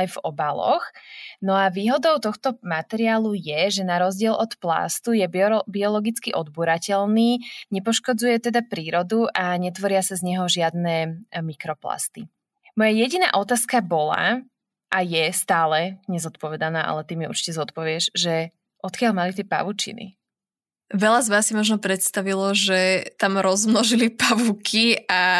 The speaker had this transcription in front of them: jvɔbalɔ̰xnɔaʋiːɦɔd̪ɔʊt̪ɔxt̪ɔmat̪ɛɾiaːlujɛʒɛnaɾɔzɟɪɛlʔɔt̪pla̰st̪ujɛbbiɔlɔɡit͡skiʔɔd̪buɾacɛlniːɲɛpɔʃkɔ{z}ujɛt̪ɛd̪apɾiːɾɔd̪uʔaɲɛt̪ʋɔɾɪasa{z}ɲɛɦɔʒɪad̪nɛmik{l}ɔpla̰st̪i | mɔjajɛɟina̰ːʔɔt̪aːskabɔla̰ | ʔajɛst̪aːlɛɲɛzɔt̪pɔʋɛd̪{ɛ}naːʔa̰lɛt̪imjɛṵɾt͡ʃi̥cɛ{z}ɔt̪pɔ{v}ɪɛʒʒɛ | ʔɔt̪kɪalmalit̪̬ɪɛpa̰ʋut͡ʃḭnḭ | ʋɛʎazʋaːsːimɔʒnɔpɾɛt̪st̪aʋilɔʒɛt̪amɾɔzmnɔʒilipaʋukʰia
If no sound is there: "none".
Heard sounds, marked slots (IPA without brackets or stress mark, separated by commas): d͡z, z, ɾ, a, z, ʋ